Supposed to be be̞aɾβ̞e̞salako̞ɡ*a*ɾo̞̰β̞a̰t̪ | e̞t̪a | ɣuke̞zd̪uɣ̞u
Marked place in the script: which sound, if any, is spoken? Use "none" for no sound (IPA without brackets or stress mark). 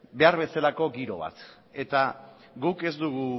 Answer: i